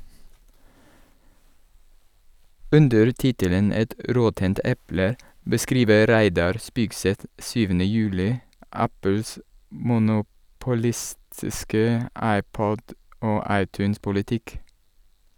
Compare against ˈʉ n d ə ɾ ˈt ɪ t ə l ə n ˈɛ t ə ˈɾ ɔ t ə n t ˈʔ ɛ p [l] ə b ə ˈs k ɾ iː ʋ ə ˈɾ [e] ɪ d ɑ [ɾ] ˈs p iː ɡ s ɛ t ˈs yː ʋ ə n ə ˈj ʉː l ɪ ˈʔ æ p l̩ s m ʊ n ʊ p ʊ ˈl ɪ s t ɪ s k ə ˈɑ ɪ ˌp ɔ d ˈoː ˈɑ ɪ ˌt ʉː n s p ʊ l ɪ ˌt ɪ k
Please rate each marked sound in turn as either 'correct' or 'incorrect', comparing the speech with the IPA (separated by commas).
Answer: correct, incorrect, correct